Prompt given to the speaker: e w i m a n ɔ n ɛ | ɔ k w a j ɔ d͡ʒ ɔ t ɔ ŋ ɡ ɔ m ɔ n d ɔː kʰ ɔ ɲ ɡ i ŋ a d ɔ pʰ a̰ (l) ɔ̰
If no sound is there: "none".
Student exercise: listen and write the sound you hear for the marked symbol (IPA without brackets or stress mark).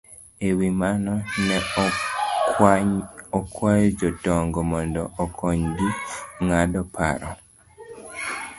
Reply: ɾ